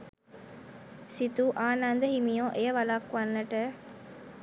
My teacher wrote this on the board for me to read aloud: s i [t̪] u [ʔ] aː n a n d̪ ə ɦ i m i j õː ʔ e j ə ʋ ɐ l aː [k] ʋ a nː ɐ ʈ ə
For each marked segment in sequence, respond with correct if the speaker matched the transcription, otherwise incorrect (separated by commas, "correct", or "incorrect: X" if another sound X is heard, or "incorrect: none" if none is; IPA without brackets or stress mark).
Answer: correct, correct, correct